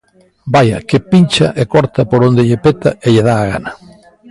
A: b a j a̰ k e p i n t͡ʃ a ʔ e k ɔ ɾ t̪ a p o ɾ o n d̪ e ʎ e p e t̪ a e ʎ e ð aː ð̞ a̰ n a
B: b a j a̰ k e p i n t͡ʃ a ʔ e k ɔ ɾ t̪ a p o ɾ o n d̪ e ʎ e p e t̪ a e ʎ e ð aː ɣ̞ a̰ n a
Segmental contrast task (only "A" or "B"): B